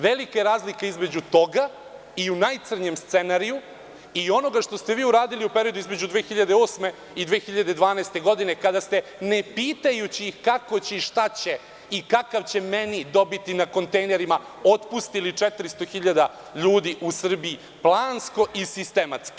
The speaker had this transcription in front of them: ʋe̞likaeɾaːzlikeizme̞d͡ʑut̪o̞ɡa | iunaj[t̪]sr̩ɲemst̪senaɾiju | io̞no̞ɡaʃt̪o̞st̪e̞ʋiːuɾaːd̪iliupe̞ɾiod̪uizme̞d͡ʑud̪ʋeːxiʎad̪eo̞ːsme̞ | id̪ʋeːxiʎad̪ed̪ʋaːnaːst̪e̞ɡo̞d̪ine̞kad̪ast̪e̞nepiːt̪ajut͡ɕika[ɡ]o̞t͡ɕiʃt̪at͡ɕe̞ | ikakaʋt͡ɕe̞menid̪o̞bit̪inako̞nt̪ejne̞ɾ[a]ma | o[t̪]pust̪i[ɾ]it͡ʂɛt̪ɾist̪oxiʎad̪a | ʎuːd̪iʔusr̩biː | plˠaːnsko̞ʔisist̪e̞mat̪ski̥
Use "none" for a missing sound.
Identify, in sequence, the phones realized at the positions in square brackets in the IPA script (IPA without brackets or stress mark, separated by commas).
t̪, k, i, t̪, l